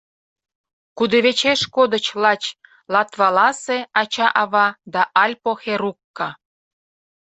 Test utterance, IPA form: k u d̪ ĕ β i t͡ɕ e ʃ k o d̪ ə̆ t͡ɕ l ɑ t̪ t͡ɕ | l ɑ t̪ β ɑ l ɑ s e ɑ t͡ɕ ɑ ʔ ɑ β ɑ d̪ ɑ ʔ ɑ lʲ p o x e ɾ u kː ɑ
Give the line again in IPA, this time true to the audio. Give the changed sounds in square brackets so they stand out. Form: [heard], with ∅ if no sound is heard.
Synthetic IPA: k u d̪ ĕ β [e] t͡ɕ e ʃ k o d̪ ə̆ t͡ɕ l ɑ [∅] t͡ɕ | l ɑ t̪ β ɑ l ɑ s e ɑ t͡ɕ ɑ ʔ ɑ β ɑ d̪ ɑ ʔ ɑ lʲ p o x e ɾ u kː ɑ